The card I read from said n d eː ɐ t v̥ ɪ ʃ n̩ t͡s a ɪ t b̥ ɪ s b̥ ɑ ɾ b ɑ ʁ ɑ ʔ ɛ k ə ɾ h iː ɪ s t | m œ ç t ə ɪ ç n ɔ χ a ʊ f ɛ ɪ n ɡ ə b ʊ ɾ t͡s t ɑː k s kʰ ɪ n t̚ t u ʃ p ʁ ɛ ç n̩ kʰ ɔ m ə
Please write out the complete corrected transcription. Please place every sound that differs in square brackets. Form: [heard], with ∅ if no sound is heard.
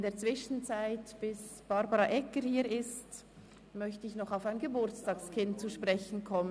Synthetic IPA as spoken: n d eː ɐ [t͡s] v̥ ɪ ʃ n̩ t͡s a ɪ t b̥ ɪ s b̥ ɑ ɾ b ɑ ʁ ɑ ʔ ɛ k ə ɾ h iː ɪ s t | m œ ç t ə ɪ ç n ɔ χ a ʊ f [a] ɪ n ɡ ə b ʊ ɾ t͡s t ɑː k s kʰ ɪ n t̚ [t͡s] u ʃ p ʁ ɛ ç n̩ kʰ ɔ m ə